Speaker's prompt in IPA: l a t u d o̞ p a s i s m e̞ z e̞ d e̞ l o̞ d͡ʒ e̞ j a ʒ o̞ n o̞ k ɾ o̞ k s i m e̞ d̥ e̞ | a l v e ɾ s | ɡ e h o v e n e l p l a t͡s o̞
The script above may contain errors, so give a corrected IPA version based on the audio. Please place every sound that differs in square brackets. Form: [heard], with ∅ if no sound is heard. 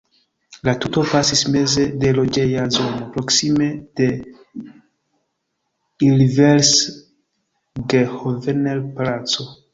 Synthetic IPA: l a t u [t] o̞ p a s i s m e̞ z e̞ d e̞ l o̞ d͡ʒ e̞ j a [z] o̞ n o̞ [p] ɾ o̞ k s i m e̞ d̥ e̞ | [i] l v e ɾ s | ɡ e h o v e n e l p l a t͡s o̞